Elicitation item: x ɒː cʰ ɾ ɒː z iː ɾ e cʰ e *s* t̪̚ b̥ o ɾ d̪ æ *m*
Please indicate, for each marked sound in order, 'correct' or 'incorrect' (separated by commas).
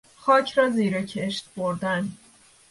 incorrect, incorrect